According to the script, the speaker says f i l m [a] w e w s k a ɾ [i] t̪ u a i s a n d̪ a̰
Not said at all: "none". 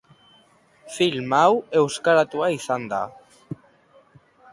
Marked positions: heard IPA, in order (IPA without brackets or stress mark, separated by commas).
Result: a, a